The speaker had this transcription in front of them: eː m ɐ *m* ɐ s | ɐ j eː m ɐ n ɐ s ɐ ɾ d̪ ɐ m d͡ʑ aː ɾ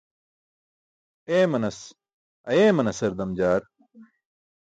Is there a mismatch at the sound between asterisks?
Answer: yes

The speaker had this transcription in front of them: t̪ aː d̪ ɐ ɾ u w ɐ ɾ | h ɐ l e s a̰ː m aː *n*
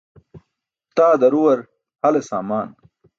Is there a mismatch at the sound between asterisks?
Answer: no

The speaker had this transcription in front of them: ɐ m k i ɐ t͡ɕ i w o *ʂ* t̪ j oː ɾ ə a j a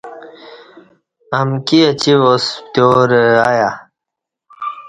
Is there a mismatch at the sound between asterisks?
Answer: yes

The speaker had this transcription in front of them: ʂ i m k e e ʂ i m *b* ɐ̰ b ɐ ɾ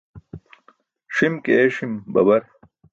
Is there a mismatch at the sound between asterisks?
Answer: no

